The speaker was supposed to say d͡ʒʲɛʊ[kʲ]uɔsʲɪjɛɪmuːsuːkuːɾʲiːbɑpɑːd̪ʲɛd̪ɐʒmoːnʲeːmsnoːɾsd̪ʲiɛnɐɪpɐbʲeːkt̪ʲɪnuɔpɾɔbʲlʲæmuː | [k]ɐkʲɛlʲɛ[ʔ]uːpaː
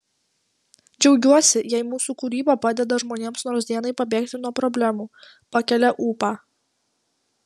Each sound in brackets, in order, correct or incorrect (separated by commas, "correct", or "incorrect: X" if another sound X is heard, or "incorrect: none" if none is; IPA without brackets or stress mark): incorrect: ɡʲ, incorrect: p, correct